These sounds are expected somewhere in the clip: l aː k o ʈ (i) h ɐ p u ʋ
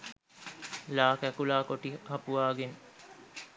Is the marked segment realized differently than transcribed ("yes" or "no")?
no